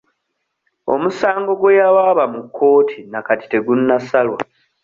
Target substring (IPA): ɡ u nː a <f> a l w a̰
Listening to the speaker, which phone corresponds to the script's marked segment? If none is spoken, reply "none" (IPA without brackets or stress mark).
s